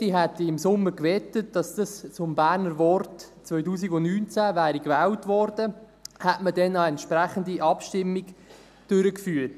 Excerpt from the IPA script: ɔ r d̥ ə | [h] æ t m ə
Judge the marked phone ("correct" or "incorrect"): correct